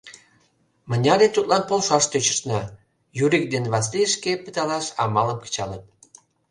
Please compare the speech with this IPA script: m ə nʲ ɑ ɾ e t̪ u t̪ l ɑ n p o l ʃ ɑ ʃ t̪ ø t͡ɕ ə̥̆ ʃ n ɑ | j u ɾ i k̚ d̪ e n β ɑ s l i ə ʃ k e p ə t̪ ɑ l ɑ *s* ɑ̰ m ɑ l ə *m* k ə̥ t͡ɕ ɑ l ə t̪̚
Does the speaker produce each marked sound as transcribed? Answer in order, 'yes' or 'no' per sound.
no, yes

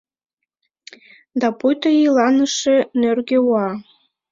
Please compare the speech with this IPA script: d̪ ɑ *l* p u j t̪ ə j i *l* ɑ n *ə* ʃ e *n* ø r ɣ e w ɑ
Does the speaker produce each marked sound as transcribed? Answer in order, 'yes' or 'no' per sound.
no, yes, yes, yes

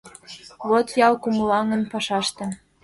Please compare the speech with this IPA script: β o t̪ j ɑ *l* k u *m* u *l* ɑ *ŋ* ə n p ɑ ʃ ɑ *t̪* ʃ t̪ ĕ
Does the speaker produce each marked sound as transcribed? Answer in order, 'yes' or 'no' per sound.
yes, yes, yes, yes, no

